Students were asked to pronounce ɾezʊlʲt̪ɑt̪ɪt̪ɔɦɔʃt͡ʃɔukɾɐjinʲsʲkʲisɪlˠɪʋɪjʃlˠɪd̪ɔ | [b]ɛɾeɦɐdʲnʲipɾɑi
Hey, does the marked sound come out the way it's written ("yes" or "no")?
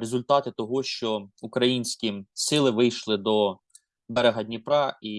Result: yes